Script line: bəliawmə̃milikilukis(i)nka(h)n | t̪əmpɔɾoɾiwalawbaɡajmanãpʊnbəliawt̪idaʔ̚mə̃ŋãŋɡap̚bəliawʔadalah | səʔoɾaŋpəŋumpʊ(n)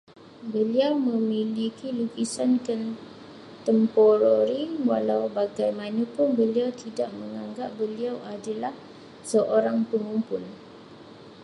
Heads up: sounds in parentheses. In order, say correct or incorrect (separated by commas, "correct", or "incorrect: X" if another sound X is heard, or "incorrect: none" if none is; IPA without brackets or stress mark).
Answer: incorrect: a, incorrect: none, correct